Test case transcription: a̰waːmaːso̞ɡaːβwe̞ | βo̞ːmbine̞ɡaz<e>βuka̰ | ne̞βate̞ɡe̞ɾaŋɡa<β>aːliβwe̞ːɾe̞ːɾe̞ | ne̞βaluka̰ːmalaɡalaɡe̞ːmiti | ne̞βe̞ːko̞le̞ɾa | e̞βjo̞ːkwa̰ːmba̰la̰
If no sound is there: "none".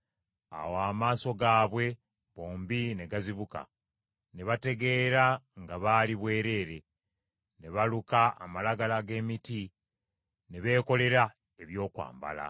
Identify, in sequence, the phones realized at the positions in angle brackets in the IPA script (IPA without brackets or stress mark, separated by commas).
i, β